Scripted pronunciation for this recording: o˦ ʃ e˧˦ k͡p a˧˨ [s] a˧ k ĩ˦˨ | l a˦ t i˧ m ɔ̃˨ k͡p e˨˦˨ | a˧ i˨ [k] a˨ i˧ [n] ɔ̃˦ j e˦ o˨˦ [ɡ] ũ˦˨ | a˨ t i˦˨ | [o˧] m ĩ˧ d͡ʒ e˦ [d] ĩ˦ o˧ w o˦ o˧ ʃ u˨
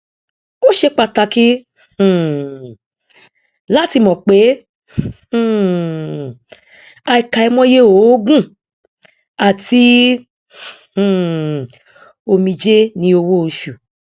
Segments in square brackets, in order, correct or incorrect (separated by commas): incorrect, correct, incorrect, correct, correct, incorrect